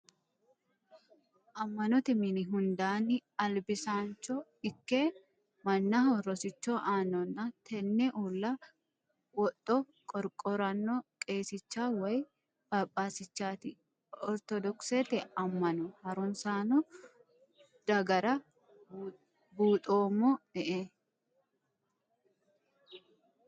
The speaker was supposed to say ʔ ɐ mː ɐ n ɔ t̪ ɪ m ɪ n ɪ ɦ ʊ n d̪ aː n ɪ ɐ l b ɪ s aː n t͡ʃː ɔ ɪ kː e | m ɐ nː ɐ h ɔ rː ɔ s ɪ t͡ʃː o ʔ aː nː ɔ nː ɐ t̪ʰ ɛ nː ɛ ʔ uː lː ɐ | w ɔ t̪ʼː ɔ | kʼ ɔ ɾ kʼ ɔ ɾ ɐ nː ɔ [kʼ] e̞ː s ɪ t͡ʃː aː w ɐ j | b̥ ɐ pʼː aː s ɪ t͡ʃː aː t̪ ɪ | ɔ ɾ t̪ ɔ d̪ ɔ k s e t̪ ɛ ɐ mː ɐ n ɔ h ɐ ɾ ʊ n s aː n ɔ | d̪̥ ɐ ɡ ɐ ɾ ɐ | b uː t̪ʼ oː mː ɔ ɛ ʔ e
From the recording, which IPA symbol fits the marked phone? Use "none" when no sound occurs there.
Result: kʼ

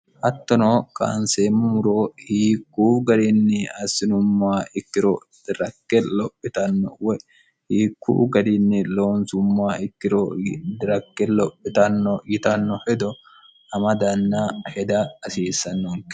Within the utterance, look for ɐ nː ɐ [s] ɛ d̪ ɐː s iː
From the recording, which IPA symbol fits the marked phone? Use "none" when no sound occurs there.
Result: h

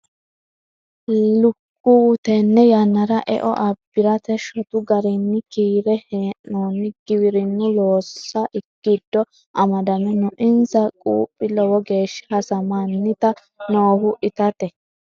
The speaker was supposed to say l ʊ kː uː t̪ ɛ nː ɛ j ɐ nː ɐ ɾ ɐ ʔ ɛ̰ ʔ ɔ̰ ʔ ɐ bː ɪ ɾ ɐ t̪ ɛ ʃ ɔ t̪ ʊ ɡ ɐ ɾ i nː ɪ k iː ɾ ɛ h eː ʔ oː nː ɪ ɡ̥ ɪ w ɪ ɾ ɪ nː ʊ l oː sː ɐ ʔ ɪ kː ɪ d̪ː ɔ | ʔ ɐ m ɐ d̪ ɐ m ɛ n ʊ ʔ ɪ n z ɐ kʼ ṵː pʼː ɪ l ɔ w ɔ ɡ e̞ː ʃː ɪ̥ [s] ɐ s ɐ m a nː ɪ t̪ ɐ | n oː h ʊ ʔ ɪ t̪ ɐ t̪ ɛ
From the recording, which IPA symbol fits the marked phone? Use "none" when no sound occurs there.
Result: h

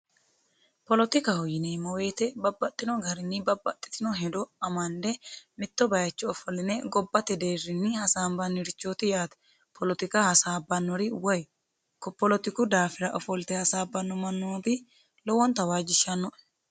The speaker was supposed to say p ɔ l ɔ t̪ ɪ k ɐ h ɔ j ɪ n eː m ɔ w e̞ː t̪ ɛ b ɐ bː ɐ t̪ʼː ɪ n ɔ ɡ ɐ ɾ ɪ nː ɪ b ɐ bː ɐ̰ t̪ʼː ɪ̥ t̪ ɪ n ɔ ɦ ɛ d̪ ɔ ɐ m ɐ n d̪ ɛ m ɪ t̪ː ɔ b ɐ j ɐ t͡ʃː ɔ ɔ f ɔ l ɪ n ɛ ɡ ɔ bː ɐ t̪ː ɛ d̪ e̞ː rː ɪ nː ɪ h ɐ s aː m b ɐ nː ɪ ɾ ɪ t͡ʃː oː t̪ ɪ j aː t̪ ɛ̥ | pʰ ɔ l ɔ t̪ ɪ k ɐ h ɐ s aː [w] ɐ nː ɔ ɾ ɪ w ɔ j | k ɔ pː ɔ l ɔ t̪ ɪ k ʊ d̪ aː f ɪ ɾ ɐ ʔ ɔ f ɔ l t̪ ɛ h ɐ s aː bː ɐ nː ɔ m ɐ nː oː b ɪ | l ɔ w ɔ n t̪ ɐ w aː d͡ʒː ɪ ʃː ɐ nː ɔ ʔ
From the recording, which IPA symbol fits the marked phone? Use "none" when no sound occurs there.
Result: b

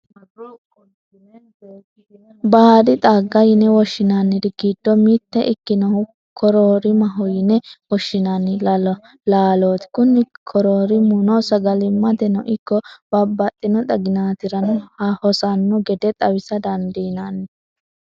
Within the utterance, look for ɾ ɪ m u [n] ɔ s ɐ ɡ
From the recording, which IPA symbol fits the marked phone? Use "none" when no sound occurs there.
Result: n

